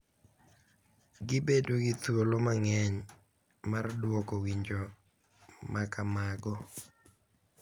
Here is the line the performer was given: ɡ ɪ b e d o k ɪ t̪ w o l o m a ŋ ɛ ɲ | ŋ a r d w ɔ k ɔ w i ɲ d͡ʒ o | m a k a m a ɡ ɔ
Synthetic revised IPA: ɡ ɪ b e d o ɡ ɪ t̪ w o l o m a ŋ ɛ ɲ | m a r d w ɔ k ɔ w i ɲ d͡ʒ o | m a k a m a ɡ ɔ